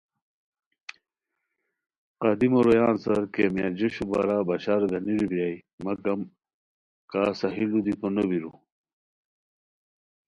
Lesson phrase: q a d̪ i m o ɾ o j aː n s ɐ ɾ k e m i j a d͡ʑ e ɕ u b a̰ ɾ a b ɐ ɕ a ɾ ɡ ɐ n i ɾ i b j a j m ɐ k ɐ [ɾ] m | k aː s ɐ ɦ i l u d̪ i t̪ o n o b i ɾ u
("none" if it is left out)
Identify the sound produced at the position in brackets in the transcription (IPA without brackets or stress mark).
none